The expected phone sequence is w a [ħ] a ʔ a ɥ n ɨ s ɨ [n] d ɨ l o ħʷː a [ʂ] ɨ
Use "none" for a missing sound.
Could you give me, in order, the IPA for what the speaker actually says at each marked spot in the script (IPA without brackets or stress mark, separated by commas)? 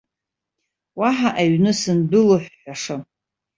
ħ, n, ʂ